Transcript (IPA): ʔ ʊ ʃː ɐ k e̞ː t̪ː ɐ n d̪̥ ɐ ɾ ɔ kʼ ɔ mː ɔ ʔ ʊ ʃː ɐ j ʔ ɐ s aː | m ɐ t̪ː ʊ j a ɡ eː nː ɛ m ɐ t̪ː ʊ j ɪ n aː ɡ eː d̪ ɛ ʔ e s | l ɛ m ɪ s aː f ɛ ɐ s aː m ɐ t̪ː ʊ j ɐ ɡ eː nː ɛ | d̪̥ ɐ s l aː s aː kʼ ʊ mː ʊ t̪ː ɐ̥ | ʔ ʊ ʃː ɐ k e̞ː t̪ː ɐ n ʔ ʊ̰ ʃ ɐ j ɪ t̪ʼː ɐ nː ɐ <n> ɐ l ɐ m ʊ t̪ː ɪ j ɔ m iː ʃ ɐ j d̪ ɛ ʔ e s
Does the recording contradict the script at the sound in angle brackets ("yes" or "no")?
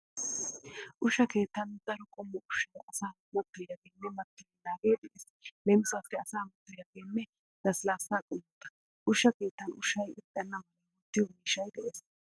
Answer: yes